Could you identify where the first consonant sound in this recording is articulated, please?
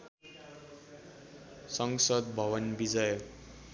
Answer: alveolar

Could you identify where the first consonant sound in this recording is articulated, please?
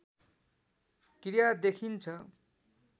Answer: velar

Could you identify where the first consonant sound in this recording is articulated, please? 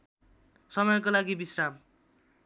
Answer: alveolar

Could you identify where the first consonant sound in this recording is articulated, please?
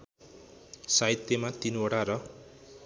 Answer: alveolar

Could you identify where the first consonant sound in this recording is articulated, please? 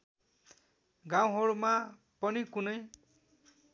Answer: velar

